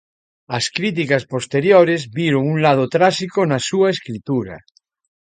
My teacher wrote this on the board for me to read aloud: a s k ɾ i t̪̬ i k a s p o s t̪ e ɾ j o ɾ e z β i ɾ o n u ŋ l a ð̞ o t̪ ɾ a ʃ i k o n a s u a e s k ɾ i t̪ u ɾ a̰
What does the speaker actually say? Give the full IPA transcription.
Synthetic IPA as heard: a s k ɾ i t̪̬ i k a s p o s t̪ e ɾ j o ɾ e z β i ɾ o ŋ u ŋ l a ð̞ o t̪ ɾ a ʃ i k o n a s u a e s k ɾ i t̪ u ɾ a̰